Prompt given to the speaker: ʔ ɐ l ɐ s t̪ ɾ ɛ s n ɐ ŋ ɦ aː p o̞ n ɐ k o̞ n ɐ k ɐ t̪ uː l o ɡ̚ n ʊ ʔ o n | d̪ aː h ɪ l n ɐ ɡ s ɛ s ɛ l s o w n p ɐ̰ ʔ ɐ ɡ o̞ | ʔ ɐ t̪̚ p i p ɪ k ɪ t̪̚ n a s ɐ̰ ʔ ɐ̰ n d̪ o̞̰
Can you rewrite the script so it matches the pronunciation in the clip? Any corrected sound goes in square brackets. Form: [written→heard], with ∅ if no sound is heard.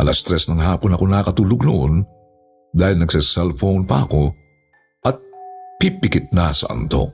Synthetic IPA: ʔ ɐ l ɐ s t̪ ɾ ɛ s n ɐ ŋ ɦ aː p o̞ n ɐ k o̞ n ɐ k ɐ t̪ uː l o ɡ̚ n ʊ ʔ o n | d̪ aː h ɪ l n ɐ ɡ s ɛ s ɛ l [s→f] o w n p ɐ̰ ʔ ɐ [ɡ→k] o̞ | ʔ ɐ t̪̚ p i p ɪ k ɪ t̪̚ n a s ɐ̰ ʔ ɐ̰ n [d̪→t̪] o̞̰